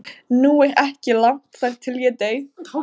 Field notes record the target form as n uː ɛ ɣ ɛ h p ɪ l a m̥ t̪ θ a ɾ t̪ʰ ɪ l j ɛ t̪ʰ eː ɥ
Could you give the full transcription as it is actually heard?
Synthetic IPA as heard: n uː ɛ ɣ ɛ h c ɪ l a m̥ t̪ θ a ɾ t̪ʰ ɪ l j ɛ t̪ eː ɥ

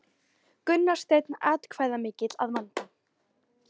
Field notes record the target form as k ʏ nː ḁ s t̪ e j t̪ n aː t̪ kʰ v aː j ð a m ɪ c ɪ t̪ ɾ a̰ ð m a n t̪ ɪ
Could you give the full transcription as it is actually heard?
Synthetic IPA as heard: k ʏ nː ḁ s t̪ e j t̪ n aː t̪ kʰ v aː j ð a m ɪː c ɪ t̪ l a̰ ð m a n t̪ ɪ

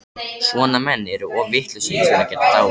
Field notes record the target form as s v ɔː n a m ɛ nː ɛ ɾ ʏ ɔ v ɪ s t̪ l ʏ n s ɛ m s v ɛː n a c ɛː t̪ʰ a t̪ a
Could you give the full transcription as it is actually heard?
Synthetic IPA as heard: s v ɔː n a m ɛ nː ɛ ɾ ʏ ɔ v ɪ h t̪ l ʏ s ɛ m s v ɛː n a c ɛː t̪ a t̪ a

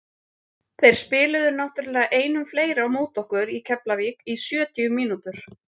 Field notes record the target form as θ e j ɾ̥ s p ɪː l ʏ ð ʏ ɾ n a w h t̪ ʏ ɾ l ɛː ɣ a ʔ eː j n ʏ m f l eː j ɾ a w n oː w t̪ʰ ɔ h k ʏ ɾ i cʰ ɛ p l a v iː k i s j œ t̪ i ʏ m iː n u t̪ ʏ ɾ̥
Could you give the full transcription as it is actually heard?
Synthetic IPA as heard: θ e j ɾ̥ s p ɪː l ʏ ð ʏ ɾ n a w h t̪ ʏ ɾ l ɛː ɣ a ʔ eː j n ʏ m f l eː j ɾ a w m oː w t̪ ɔ h k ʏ ɾ i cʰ ɛ p l a v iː k i s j œː t̪ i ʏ m iː n u t̪ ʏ ɾ̥

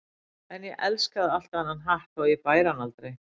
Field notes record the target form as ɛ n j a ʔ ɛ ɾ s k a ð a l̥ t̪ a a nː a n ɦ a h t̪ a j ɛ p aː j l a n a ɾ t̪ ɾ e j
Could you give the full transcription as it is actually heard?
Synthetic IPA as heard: ɛ n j ɛ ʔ ɛ l s k a ð a l̥ t̪ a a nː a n ɦ a h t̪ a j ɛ p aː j ɾ a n a l t̪ ɾ e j

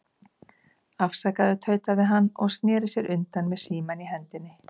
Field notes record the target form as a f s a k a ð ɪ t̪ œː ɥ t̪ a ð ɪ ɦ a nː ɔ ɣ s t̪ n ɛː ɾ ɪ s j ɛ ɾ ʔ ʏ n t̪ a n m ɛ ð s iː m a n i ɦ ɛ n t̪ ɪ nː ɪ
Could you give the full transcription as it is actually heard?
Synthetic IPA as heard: a f s a k a ð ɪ t̪ʰ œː ɥ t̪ a ð ɪ ɦ a nː ɔ ɣ s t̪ n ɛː ɾ ɪ s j ɛ ɾ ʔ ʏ n t̪ a n m ɛ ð s iː m a n i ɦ ɛ n t̪ ɪ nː ɪ

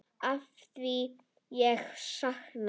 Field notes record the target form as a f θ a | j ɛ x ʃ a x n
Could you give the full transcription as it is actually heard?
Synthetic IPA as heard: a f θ i | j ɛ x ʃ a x n

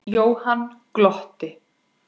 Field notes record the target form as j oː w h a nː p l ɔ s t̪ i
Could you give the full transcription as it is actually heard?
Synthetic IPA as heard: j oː w h a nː k l ɔ h t̪ ɪ

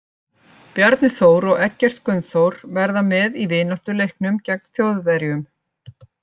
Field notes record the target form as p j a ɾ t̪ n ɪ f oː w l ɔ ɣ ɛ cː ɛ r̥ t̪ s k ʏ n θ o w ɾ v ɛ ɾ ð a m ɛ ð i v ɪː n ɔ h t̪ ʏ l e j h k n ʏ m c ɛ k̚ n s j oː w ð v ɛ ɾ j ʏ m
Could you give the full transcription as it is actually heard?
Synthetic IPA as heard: p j a ɾ t̪ n ɪ θ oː w ɾ ɔ ɣ ɛ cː ɛ r̥ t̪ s k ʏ n θ o w ɾ v ɛ ɾ ð a m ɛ ð i v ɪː n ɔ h t̪ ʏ l e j h k n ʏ m c ɛ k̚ n θ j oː w ð v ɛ ɾ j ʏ m

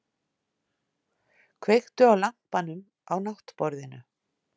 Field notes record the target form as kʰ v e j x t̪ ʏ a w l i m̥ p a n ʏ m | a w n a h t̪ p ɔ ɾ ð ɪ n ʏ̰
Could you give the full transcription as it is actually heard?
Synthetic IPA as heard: kʰ v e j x t̪ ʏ a w l a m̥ p a n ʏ m | a w n a h t̪ p ɔ ɾ ð ɪ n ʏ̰

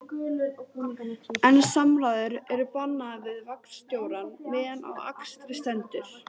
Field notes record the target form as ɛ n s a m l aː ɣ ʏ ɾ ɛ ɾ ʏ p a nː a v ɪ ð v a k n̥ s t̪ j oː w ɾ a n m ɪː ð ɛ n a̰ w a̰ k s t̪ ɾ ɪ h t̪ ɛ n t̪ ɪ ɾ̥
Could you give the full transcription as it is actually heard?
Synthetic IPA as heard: ɛ n s a m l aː ð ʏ ɾ ɛ ɾ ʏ p a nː a v ɪ ð v a k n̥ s t̪ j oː w ɾ a n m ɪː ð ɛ n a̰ w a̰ k s t̪ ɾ ɪ s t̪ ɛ n t̪ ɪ ɾ̥

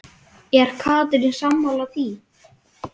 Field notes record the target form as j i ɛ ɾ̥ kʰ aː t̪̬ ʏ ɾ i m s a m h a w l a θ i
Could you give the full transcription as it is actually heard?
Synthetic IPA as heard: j ɛ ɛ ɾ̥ kʰ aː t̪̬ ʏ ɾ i n s a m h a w l a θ i

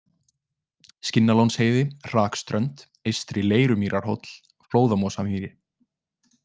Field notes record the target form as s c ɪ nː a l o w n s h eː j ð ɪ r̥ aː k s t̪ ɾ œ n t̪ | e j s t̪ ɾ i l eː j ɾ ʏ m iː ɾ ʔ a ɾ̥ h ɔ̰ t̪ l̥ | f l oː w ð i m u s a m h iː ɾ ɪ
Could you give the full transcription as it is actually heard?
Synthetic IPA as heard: s c ɪ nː a l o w n s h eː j ð ɪ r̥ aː k s t̪ ɾ œ n t̪ | e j s t̪ ɾ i l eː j ɾ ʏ m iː ɾ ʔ a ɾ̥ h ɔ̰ t̪ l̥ | f l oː w ð a m ɔ s a m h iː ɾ ɪ

